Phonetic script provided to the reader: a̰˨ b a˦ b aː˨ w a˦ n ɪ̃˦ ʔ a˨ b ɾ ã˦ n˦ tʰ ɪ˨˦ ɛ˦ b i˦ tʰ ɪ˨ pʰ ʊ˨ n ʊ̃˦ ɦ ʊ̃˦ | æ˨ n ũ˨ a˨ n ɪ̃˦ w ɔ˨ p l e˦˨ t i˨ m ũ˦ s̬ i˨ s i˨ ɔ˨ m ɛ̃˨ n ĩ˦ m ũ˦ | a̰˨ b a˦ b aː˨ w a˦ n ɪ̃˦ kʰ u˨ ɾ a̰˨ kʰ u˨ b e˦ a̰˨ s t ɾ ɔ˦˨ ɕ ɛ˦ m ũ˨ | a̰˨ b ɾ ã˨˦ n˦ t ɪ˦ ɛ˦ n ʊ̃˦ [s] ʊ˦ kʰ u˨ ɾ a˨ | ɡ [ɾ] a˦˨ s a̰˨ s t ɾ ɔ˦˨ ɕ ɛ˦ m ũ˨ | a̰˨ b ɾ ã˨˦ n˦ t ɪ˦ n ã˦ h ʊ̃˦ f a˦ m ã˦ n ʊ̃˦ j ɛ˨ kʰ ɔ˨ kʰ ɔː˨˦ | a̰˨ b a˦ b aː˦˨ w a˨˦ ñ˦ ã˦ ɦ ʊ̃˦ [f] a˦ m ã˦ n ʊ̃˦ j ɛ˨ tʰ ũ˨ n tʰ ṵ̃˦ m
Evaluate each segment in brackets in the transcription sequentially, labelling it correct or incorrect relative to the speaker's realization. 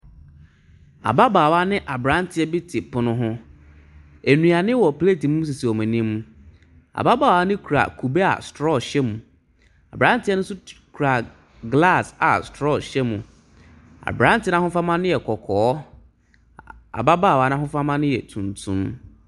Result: correct, incorrect: l, correct

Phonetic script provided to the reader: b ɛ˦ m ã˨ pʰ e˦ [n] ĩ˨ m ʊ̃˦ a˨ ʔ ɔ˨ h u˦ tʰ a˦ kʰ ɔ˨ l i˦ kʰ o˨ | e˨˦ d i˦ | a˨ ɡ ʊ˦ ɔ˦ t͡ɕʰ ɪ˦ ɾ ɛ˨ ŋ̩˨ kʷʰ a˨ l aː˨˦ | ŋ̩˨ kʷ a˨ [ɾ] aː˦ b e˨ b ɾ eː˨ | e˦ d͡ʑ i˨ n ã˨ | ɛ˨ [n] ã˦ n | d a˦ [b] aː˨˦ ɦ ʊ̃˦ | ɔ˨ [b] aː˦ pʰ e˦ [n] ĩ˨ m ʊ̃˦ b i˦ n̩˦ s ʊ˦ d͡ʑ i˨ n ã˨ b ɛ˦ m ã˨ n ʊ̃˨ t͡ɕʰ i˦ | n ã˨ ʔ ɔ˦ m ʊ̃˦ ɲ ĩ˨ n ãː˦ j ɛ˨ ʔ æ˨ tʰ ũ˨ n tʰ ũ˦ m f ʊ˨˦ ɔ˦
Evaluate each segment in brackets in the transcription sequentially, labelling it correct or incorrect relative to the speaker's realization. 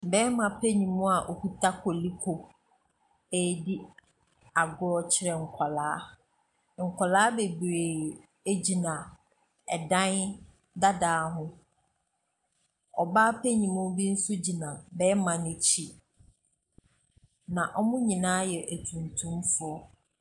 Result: incorrect: ɲ, incorrect: l, incorrect: d, incorrect: d, correct, incorrect: ɲ

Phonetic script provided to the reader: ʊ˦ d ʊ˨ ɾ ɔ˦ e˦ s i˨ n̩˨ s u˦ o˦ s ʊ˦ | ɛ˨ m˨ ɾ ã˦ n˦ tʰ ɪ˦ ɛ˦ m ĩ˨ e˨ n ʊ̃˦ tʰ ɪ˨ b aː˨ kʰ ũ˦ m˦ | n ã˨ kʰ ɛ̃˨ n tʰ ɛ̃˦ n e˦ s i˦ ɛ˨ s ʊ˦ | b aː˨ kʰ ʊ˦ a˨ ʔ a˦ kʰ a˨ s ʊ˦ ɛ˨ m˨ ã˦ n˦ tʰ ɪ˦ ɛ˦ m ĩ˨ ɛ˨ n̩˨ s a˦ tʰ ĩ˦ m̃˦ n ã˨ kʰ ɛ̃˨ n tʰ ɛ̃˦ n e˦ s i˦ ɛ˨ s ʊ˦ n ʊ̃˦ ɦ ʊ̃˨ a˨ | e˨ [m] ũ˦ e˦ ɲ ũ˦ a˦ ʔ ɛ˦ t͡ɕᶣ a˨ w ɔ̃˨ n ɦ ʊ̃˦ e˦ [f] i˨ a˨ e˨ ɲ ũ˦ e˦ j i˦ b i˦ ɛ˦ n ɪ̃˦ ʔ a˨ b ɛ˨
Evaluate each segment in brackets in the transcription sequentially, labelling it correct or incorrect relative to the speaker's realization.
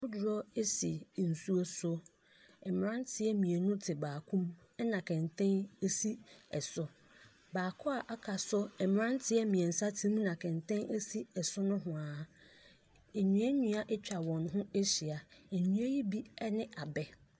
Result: incorrect: ɲ, incorrect: ɕ

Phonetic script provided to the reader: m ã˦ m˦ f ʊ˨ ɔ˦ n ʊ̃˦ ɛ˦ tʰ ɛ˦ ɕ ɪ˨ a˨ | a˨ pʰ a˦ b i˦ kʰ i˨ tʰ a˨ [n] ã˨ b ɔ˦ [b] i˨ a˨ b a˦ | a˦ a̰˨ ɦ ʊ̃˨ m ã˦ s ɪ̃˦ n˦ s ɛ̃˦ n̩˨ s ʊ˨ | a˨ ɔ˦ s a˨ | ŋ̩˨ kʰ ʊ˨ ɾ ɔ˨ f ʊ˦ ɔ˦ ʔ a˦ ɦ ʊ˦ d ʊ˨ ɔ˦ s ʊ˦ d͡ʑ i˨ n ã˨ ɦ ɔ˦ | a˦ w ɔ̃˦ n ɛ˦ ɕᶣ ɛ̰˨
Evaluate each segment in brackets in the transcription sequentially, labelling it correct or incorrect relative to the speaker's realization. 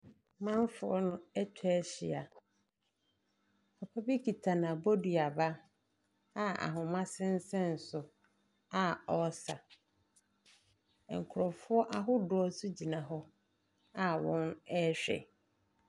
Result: correct, incorrect: d

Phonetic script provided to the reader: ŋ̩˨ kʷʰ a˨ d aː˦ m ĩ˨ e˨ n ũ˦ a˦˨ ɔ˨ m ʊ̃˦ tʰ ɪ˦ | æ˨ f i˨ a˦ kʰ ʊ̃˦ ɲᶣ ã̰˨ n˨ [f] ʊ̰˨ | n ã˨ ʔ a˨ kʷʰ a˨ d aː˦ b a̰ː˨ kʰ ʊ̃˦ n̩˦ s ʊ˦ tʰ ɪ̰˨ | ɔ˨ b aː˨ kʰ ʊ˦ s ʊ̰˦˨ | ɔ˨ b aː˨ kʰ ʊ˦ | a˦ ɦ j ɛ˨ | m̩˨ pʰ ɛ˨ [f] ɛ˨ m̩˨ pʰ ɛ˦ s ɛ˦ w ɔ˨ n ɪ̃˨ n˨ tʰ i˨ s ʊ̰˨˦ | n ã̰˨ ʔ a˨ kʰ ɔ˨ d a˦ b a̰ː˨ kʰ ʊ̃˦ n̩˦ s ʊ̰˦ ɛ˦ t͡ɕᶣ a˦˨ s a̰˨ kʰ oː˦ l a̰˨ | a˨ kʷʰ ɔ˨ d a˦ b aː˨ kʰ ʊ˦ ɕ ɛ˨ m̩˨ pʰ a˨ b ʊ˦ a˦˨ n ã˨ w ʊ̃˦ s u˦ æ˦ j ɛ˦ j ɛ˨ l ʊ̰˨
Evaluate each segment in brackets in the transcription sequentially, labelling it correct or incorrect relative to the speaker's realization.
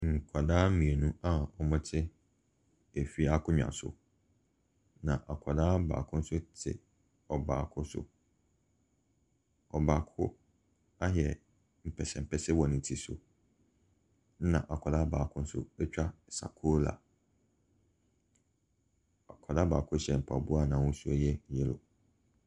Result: incorrect: s, incorrect: s

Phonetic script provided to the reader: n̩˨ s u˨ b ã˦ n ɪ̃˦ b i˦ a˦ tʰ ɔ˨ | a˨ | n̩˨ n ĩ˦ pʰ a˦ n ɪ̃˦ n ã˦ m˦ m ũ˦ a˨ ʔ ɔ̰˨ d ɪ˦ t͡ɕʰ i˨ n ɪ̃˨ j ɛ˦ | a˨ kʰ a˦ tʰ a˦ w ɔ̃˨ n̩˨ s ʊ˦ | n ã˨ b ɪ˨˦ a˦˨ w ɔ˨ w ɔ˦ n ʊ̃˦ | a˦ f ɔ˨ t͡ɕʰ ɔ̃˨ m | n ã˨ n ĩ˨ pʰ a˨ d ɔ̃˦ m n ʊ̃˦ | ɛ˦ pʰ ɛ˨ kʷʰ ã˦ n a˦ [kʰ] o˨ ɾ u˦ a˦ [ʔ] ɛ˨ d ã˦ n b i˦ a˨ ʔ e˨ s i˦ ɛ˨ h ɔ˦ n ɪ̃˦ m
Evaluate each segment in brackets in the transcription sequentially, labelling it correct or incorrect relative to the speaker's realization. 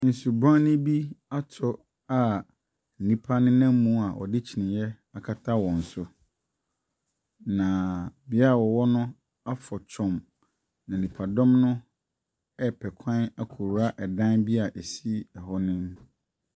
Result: correct, correct

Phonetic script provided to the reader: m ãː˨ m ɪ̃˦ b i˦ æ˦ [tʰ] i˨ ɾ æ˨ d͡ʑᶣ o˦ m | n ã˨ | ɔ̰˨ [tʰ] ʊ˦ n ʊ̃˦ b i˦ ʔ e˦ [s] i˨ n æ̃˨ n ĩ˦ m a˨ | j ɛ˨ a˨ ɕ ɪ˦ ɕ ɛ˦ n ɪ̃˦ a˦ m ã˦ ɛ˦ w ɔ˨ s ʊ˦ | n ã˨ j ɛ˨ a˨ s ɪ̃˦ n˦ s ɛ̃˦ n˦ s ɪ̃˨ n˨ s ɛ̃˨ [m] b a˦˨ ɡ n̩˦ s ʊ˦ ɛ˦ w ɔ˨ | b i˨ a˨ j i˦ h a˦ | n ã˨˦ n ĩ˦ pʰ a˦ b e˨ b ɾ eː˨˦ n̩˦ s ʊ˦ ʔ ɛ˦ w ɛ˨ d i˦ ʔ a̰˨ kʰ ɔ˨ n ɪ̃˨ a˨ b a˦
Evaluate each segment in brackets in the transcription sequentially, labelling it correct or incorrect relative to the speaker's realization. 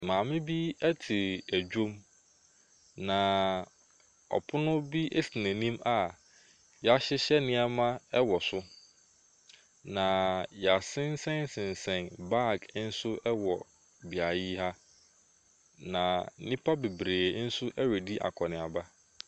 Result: correct, incorrect: pʰ, correct, incorrect: n

